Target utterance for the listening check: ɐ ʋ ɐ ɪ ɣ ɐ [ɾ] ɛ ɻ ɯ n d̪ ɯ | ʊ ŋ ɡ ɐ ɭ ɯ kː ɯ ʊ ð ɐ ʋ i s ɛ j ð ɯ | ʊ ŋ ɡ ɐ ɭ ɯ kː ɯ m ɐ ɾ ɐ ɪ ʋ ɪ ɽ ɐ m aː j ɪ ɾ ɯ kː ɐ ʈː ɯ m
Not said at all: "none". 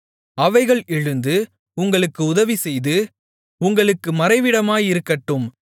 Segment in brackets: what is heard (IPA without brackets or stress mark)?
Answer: ɭ